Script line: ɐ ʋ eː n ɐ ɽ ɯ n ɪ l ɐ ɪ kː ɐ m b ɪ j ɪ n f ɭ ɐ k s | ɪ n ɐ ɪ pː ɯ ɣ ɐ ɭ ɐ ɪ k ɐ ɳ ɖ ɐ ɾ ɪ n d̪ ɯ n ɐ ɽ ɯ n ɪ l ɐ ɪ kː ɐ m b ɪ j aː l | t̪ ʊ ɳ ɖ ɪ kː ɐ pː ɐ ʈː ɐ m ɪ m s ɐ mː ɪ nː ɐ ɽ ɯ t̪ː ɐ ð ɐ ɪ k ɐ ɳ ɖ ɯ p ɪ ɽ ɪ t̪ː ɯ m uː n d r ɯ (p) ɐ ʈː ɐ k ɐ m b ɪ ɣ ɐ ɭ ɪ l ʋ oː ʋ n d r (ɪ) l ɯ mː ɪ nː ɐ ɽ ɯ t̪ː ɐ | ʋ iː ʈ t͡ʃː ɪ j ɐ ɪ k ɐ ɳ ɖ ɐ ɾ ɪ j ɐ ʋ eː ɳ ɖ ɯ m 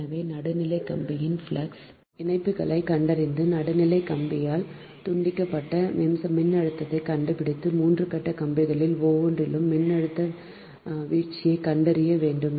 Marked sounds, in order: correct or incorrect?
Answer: incorrect, correct

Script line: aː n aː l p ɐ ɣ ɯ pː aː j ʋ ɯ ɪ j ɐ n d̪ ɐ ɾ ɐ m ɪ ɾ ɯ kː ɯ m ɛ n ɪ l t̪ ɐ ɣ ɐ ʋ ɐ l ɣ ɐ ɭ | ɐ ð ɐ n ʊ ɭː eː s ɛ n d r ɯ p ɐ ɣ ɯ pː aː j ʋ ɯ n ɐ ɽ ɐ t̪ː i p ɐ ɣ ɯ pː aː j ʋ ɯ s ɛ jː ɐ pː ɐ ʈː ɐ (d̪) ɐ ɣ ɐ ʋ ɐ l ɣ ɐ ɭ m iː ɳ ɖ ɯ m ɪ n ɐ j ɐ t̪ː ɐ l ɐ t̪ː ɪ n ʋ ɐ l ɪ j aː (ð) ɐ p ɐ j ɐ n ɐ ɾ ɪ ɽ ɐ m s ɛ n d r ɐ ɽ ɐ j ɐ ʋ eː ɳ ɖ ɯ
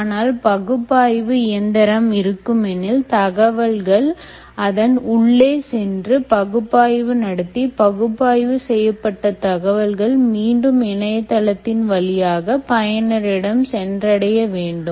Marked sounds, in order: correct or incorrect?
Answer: incorrect, incorrect

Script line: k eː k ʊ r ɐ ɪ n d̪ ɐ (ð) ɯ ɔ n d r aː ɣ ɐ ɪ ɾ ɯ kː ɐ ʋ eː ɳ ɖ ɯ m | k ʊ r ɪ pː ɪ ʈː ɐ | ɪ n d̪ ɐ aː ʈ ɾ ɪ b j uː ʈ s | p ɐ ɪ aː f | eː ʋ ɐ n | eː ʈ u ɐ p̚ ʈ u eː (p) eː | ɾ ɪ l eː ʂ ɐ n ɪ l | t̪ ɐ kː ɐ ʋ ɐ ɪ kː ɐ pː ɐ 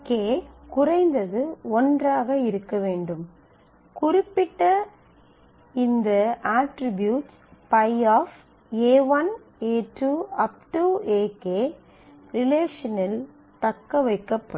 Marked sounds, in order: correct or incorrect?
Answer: correct, incorrect

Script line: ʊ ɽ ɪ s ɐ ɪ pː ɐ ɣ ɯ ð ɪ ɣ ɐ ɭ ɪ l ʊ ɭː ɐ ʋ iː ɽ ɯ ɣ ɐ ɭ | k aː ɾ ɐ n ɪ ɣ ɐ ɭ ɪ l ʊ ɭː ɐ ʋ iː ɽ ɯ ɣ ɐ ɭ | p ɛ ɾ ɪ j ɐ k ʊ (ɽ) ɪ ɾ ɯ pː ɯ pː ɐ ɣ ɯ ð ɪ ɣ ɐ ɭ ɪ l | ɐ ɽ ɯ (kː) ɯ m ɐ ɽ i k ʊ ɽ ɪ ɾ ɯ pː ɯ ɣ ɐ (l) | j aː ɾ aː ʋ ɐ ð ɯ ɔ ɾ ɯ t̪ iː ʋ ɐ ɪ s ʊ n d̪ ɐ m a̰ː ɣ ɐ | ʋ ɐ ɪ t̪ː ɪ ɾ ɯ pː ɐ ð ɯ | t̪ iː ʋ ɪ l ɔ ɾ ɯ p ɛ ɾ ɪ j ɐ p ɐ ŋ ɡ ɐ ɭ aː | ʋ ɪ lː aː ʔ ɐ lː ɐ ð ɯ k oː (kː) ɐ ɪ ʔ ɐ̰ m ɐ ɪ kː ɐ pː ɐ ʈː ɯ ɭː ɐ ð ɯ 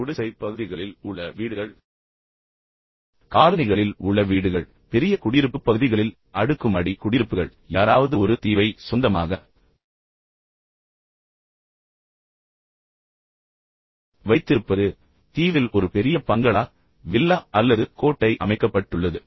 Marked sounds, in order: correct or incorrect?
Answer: correct, correct, incorrect, incorrect

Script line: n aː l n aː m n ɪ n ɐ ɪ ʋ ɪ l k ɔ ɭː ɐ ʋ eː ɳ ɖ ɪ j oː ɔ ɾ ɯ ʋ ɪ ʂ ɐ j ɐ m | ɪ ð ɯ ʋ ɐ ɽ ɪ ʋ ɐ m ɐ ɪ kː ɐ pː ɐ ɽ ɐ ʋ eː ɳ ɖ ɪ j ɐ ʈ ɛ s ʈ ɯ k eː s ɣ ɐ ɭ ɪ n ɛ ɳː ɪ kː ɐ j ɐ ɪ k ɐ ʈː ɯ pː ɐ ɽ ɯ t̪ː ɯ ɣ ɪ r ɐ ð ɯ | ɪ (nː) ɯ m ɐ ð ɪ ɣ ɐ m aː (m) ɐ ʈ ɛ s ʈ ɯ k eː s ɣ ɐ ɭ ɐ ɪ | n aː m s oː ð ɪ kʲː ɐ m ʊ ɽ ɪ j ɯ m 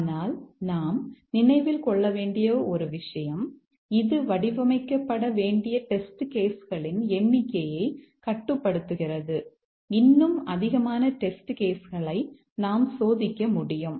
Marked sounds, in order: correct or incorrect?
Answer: correct, incorrect

